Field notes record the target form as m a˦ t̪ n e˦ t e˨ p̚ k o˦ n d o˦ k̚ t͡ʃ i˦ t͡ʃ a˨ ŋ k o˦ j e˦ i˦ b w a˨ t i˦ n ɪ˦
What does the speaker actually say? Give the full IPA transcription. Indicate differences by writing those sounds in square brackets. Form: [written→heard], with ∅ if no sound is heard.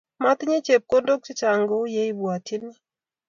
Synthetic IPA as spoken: m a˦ t̪ [n→ɲ] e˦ [t→t͡ʃ] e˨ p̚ k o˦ n d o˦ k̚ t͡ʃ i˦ t͡ʃ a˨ ŋ [k→ɡ] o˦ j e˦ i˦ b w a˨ t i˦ n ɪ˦